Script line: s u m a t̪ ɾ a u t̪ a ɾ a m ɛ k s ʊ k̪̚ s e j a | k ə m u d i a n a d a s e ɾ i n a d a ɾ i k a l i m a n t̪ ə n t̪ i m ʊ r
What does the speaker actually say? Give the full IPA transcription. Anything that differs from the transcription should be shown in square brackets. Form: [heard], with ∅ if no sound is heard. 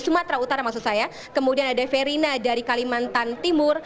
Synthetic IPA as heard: s u m a t̪ ɾ a u t̪ a ɾ a m [a] k s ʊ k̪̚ s [a] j a | k ə m u d i a n a d a [f] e ɾ i n a d a ɾ i k a l i m a n t̪ [a] n t̪ i m ʊ r